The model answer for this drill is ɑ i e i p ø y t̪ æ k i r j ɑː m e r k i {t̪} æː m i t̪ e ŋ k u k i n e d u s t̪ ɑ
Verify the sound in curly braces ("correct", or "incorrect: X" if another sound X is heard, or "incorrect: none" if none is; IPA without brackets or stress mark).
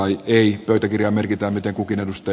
correct